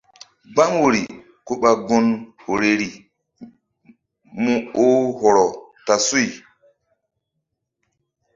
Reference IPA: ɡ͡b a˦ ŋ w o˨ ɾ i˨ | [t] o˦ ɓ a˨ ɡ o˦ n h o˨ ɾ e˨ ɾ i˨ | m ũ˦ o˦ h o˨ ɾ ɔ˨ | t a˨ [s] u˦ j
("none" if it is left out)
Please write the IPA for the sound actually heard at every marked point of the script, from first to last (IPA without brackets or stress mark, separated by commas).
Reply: k, s